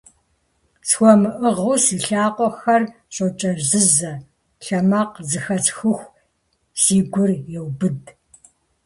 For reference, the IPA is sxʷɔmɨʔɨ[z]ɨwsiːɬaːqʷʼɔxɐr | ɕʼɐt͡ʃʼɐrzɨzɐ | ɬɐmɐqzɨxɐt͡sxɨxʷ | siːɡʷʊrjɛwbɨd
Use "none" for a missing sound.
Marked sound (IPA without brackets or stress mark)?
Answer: ʁ